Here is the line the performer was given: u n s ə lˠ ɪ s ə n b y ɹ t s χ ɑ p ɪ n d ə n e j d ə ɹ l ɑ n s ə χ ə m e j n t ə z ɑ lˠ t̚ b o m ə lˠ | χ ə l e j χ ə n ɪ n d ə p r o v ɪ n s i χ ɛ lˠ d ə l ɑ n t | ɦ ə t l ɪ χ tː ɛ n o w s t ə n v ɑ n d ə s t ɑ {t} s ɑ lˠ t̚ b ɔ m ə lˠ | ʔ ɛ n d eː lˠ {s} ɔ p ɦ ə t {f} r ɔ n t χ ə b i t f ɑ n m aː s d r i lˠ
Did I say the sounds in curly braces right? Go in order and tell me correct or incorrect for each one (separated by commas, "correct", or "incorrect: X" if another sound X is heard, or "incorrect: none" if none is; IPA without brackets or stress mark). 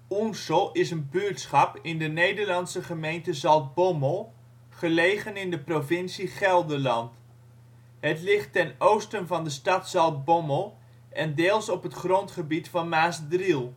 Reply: correct, correct, incorrect: χ